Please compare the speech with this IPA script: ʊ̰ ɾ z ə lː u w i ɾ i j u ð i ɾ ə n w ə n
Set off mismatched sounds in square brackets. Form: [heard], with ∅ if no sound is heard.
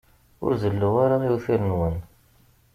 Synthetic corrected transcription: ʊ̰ ɾ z ə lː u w [a] ɾ [a] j u [θ] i ɾ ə n w ə n

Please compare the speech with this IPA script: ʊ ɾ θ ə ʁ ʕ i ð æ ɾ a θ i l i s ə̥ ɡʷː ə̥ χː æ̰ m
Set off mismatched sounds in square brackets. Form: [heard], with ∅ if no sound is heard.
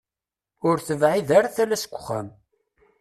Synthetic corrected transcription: ʊ ɾ θ ə [v] ʕ i ð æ ɾ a θ [æ] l [æ] s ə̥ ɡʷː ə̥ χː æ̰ m

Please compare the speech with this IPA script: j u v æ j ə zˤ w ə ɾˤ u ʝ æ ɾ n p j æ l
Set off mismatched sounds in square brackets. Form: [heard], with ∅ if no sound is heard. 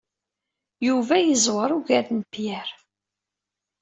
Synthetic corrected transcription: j u v æ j ə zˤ w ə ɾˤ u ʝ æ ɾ n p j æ [ɾ]

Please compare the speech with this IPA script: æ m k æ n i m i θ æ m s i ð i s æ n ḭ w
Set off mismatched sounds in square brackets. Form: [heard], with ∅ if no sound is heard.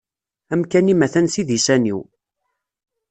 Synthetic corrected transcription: æ m k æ n i m [æ] θ æ [n] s i ð i s æ n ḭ w

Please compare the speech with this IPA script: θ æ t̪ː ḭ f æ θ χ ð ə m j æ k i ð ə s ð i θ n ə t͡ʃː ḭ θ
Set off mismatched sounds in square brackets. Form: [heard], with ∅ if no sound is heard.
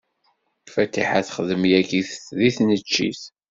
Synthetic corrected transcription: [f] æ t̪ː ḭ [ħ] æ θ χ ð ə m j æ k i [θ] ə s ð i θ n ə t͡ʃː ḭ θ

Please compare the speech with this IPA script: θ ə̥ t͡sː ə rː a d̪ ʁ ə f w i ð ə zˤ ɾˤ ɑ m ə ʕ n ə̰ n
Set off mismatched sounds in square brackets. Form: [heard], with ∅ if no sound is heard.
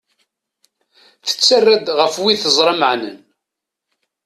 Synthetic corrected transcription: θ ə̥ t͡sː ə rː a d̪ ʁ ə f w i [θ] ə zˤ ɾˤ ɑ m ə ʕ n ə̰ n

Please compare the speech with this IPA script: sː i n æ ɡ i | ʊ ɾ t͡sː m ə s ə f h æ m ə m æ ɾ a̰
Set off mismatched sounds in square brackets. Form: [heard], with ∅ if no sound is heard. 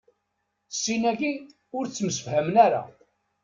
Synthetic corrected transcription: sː i n æ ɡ i | ʊ ɾ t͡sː m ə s ə f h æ m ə [n] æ ɾ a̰

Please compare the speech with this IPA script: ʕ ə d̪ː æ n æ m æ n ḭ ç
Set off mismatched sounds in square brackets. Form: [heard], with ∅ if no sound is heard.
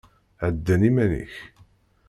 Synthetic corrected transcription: ʕ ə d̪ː æ n [i] m æ n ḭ ç

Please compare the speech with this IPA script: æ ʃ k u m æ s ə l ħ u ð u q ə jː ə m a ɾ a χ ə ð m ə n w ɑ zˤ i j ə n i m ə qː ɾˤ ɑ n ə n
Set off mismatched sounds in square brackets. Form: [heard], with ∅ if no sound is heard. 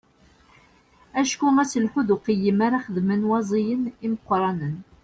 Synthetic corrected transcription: æ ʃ k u m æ s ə l ħ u ð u q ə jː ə m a ɾ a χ ə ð m ə n w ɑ zˤ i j ə n i m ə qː ɾˤ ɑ n ə n

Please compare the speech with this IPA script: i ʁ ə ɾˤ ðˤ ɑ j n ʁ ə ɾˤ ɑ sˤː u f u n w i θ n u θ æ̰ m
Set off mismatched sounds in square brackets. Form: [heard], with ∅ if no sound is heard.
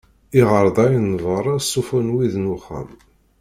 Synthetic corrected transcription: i ʁ ə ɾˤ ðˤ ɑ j n [v] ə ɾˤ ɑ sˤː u f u n w i [ð] n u [χ] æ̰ m

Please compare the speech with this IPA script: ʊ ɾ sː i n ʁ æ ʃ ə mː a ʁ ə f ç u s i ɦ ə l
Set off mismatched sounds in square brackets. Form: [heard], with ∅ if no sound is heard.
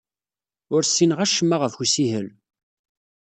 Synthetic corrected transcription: ʊ ɾ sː i n ʁ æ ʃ ə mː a ʁ ə f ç u s i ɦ ə l

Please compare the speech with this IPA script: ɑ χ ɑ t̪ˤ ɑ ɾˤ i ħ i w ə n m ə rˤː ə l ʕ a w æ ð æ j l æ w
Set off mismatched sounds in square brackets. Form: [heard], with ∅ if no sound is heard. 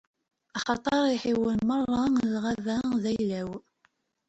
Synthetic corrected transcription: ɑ χ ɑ t̪ˤ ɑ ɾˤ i ħ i w ə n m ə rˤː [ɑ] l [ʁ] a [v] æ ð æ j l æ w

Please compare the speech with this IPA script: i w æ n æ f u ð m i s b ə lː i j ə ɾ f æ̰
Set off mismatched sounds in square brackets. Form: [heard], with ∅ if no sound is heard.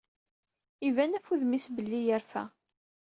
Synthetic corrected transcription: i [v] æ n æ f u ð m i s b ə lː i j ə ɾ f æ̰

